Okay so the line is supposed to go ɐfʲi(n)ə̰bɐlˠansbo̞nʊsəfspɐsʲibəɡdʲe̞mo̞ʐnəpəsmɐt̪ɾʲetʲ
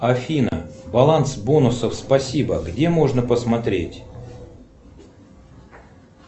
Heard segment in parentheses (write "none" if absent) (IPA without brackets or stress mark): n